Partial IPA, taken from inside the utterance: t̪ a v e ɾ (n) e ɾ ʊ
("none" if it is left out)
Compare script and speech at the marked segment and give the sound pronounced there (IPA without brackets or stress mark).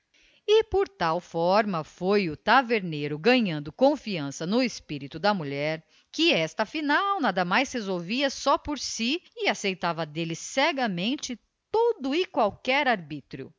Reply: n